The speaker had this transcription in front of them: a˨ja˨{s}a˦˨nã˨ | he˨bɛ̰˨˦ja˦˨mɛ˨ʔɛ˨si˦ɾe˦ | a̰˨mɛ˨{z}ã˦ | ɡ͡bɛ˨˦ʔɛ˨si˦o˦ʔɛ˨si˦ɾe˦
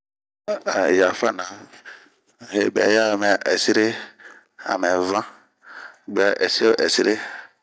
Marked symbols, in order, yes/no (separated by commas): no, no